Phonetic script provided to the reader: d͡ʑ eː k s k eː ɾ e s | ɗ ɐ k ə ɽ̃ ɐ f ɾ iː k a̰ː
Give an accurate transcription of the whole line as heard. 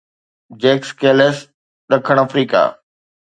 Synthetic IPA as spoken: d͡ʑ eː k s k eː l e s | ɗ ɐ kʰ ə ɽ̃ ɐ f ɾ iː k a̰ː

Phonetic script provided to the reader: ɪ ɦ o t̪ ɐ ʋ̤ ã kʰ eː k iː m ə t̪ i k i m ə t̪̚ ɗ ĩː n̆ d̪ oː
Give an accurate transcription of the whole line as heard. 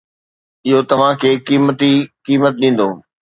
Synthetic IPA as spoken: ɪ ɦ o t̪ ɐ ʋ̤ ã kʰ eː k iː m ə t̪ i k iː m ə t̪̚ ɗ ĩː n̆ d̪ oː

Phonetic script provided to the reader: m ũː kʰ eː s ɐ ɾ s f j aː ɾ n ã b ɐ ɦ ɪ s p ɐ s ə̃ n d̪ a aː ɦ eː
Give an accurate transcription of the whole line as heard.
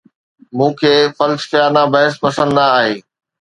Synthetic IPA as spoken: m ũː kʰ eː f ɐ l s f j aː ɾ n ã b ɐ ɦ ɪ s p ɐ s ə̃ n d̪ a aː ɦ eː

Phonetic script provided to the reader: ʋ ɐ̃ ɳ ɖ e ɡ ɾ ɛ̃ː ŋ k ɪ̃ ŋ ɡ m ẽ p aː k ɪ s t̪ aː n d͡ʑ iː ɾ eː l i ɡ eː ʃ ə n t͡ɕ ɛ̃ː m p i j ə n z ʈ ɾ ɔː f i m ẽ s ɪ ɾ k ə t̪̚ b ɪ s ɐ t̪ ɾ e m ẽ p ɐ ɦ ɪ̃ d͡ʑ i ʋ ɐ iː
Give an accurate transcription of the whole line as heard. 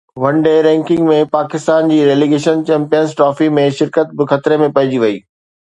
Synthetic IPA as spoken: ʋ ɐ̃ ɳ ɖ e ɾ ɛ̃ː ŋ k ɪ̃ ŋ ɡ m ẽ p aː k ɪ s t̪ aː n d͡ʑ iː ɾ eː l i ɡ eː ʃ ə n t͡ɕ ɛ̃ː m p i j ə n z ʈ ɾ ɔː f i m ẽ ʃ ɪ ɾ k ə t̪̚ b ɪ x ɐ t̪ ɾ e m ẽ p ɐ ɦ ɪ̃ d͡ʑ i ʋ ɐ iː

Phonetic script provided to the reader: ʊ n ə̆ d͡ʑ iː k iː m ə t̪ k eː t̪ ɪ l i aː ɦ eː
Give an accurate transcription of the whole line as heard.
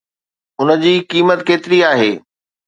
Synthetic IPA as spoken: ʊ n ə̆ d͡ʑ iː k iː m ə t̪ k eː t̪ ɪ ɾ i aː ɦ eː

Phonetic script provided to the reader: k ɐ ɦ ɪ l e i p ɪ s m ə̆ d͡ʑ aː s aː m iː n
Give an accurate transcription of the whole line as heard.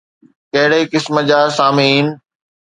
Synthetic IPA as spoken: k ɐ ɦ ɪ ɽ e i k ɪ s m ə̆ d͡ʑ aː s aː m iː n

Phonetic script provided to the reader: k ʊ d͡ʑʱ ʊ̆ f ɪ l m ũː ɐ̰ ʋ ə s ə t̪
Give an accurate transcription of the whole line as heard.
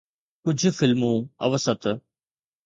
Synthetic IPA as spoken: k ʊ d͡ʑʱ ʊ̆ f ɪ l m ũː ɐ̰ ʋ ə s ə t̪

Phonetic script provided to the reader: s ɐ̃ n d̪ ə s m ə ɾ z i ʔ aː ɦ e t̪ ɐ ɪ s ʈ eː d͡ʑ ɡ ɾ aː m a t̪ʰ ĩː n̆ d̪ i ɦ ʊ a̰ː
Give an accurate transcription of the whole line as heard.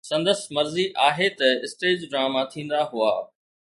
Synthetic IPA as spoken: s ɐ̃ n d̪ ə s m ɐ ɾ z i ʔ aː ɦ e t̪ ɐ ɪ s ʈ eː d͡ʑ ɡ ɾ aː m a t̪ʰ ĩː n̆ d̪ a ɦ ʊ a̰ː

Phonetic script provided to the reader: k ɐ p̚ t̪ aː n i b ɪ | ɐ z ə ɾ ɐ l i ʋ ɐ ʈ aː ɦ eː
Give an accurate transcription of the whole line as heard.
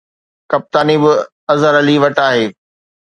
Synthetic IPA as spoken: k ɐ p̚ t̪ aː n i b ɪ | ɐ z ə ɾ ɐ l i ʋ ɐ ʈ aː ɦ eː

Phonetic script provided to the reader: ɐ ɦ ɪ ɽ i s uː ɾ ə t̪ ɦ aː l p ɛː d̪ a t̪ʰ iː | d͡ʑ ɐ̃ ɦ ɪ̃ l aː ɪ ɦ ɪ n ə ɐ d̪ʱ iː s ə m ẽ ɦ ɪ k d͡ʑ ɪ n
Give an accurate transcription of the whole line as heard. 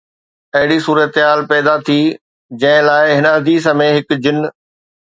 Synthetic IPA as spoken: ɐ ɦ ɪ ɽ i s uː ɾ ə t̪ ɦ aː l p ɛː d̪ a t̪ʰ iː | d͡ʑ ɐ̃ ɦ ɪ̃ l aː ɪ ɦ ɪ n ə ɐ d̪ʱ iː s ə m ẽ ɦ ɪ k d͡ʑ ɪ n

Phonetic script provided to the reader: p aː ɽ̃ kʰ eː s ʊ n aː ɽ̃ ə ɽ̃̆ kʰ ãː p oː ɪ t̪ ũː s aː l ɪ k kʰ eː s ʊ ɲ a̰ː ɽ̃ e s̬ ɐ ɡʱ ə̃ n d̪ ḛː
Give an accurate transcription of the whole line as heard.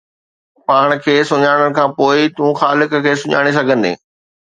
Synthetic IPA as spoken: p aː ɽ̃ kʰ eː s ʊ ɲ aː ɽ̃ ə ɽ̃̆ kʰ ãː p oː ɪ t̪ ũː x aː l ɪ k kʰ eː s ʊ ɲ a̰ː ɽ̃ e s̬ ɐ ɡʱ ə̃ n d̪ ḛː

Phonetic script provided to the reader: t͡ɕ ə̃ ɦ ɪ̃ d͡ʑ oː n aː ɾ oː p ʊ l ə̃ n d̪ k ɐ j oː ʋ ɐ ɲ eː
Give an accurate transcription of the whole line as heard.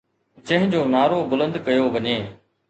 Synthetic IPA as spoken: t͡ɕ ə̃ ɦ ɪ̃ d͡ʑ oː n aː ɾ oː b ʊ l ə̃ n d̪ k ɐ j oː ʋ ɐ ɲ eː

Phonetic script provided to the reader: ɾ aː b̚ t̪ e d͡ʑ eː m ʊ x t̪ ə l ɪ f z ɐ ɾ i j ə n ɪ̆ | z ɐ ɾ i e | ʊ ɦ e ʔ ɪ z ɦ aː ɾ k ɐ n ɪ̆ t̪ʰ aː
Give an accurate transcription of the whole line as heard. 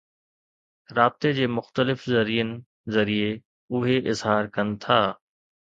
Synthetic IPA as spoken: ɾ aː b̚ t̪ e d͡ʑ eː m ʊ x t̪ ə l ɪ f z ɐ ɾ i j ə n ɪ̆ | z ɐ ɾ i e | ʊ ɦ e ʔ ɪ z ɦ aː ɾ k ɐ n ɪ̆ t̪ʰ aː

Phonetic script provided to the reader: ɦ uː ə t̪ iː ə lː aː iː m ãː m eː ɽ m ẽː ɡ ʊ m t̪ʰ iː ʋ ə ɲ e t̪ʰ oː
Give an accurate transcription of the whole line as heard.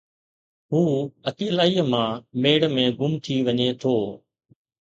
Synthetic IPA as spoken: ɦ uː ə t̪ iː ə l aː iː m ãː m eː ɽ m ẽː ɡ ʊ m t̪ʰ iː ʋ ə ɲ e t̪ʰ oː

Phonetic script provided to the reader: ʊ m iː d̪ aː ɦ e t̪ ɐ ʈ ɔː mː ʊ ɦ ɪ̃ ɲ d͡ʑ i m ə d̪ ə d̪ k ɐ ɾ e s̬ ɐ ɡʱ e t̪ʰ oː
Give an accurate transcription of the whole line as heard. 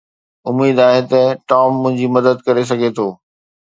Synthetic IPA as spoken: ʊ m iː d̪ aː ɦ e t̪ ɐ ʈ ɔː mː ʊ̃ ɦ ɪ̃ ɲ d͡ʑ i m ɐ d̪ ə d̪ k ɐ ɾ e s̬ ɐ ɡʱ e t̪ʰ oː

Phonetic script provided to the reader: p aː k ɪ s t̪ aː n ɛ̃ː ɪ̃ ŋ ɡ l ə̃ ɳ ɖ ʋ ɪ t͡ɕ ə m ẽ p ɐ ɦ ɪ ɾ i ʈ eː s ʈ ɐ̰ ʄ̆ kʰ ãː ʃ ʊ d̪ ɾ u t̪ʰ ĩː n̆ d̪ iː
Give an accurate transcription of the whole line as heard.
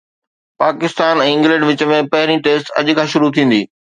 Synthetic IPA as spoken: p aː k ɪ s t̪ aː n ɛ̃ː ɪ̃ ŋ ɡ l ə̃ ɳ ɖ ʋ ɪ t͡ɕ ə m ẽ p ɐ ɦ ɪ ɾ i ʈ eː s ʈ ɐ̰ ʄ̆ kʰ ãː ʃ ʊ ɾ u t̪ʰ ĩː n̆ d̪ iː

